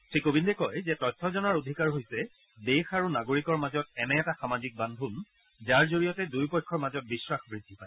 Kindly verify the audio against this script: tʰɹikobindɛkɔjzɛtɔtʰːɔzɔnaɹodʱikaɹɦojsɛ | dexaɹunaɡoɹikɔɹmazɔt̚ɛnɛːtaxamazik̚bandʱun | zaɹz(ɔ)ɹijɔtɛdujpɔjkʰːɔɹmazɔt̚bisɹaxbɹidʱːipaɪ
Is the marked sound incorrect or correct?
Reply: incorrect: o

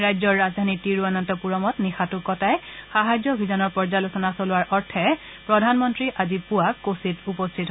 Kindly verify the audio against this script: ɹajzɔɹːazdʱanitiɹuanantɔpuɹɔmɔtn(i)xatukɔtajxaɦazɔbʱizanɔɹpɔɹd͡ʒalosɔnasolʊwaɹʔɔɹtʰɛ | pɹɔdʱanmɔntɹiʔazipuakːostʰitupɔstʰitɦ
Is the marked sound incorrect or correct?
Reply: correct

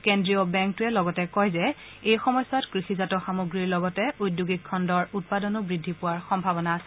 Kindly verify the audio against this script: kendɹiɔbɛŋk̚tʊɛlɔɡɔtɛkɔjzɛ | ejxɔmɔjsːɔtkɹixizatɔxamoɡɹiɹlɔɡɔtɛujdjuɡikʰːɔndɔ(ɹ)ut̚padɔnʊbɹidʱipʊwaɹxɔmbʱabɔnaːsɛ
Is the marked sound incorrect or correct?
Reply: correct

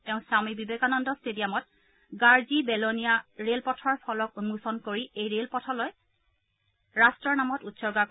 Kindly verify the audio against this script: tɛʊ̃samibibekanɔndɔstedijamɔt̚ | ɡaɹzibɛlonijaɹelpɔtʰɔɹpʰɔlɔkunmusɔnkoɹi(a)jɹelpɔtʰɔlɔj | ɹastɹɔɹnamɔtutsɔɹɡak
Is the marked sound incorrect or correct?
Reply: incorrect: e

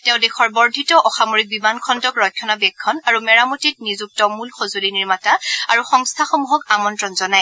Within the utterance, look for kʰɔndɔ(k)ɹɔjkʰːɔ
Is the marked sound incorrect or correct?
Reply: correct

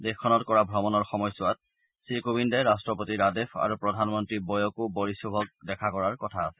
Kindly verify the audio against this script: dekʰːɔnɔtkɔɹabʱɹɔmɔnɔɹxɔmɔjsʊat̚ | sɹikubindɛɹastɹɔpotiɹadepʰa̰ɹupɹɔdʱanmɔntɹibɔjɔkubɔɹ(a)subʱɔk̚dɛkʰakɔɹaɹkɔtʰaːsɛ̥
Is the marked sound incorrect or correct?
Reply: incorrect: i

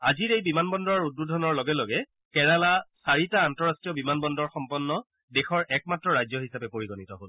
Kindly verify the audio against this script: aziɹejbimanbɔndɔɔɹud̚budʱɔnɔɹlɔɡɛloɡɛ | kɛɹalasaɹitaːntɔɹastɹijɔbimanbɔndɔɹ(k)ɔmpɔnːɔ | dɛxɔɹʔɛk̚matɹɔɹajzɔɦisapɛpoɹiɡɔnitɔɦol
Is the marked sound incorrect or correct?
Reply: incorrect: x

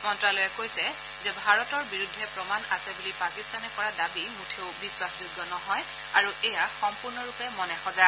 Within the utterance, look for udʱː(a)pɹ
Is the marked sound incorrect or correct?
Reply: incorrect: ɛ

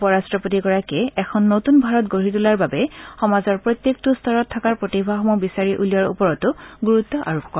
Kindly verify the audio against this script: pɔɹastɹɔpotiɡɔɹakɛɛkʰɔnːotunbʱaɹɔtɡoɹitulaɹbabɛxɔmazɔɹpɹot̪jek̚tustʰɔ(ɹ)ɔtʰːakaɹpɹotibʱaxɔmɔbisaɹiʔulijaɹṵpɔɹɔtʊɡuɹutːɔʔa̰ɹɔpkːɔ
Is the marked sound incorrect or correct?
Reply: correct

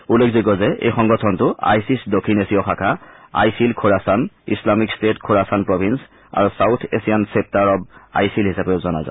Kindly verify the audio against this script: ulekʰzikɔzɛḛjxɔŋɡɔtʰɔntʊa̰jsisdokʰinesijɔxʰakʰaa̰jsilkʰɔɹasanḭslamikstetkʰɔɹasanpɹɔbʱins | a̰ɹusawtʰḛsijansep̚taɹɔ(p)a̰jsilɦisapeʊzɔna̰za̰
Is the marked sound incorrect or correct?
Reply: incorrect: b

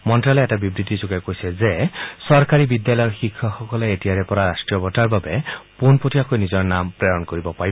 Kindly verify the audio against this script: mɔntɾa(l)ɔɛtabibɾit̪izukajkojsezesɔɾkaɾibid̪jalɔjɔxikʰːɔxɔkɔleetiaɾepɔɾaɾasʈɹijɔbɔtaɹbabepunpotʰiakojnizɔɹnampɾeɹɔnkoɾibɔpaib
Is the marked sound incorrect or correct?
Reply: correct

